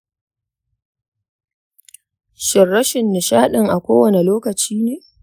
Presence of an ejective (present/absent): absent